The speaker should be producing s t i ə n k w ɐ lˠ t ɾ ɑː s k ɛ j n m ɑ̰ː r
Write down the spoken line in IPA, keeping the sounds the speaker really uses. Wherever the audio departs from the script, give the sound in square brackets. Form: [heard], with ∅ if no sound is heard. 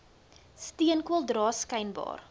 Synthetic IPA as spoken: s t i ə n k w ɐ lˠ [d] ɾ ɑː s k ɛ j n [b] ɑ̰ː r

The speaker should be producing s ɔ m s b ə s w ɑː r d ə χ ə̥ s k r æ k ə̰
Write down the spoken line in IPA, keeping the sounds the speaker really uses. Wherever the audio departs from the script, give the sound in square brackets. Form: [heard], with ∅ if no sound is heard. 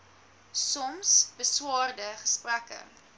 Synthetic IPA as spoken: s ɔ m s b ə s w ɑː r d ə χ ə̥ s [p] r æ k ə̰

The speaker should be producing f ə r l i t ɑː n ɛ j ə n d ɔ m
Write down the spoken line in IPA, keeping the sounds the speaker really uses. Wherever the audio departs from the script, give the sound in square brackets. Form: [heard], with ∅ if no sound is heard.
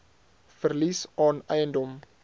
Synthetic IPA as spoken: f ə r l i [s] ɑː n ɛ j ə n d ɔ m

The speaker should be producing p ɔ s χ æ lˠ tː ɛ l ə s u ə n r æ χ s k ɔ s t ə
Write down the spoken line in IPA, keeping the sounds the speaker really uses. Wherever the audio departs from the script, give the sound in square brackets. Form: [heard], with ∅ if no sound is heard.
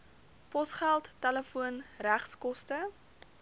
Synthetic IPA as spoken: p ɔ s χ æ lˠ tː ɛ l ə [f] u ə n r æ χ s k ɔ s t ə

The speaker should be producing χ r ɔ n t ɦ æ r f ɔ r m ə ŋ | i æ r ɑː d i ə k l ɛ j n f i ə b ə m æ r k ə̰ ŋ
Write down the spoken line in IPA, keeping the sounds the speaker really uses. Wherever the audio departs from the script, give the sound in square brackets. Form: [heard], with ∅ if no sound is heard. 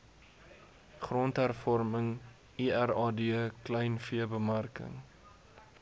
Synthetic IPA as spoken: χ r ɔ n t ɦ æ r f ɔ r m ə ŋ | i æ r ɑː d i ə k l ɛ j n f i ə b ə m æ r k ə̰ ŋ

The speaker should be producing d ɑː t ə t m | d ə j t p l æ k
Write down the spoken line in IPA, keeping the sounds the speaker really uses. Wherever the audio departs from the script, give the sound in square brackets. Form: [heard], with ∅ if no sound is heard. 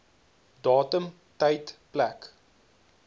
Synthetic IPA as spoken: d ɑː t ə [∅] m | [t] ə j t p l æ k

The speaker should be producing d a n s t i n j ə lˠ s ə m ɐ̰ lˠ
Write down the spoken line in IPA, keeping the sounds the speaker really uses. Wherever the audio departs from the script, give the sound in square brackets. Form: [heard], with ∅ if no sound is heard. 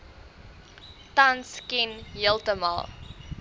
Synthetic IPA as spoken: [t] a n s [k] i n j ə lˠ [t] ə m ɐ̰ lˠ

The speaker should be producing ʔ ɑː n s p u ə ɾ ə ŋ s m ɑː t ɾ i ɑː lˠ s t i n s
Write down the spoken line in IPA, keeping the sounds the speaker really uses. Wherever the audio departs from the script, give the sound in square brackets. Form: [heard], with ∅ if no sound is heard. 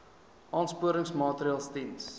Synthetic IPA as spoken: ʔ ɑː n s p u ə ɾ ə ŋ s m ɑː t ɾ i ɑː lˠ s t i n s

